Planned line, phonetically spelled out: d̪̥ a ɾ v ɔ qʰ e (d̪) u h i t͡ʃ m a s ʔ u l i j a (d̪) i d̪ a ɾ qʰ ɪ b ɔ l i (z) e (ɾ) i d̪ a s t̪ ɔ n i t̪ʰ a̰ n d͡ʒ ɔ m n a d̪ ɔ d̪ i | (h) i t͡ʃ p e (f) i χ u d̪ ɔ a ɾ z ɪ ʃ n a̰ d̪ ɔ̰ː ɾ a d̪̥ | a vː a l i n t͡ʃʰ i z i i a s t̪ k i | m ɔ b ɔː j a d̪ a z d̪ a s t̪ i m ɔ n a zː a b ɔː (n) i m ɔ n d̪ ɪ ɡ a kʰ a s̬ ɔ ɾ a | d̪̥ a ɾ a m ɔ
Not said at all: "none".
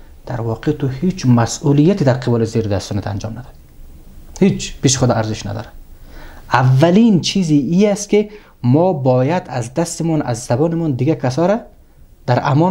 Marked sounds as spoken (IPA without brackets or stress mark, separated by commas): t̪, t̪, z, ɾ, h, ʃ, n